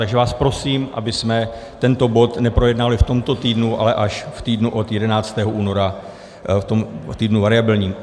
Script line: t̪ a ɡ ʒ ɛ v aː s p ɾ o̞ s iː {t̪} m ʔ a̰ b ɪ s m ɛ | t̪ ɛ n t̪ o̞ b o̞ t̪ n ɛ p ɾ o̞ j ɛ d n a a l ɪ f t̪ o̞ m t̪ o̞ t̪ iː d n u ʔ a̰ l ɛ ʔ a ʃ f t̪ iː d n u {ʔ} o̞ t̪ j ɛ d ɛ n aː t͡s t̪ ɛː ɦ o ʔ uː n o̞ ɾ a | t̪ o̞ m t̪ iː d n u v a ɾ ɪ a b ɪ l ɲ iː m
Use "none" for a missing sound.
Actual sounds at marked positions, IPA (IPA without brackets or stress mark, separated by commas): none, ʔ